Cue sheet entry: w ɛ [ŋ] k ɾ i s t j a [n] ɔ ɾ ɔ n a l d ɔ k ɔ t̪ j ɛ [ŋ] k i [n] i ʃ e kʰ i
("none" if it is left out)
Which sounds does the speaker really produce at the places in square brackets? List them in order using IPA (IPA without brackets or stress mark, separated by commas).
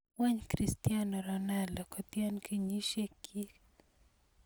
ɲ, n, n, ɲ